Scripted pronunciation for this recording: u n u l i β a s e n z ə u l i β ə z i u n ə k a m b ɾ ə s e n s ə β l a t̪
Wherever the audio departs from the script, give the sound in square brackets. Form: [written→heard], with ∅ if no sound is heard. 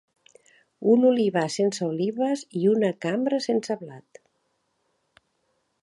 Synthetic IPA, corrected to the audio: u n u l i β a s e n [z→s] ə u l i β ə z i u n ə k a m b ɾ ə s e n s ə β l a t̪